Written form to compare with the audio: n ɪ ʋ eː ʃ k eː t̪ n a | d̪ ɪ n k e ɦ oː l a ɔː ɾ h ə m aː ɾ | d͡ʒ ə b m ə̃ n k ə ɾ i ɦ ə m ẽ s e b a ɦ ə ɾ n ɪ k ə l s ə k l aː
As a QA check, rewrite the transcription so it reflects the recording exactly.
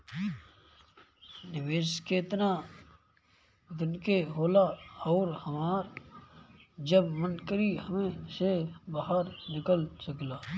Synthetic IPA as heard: n ɪ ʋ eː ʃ k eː t̪ n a | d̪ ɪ n k e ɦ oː l a ɔː ɾ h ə m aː ɾ | d͡ʒ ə b m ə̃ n k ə ɾ i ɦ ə m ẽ s e b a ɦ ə ɾ n ɪ k ə l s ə k l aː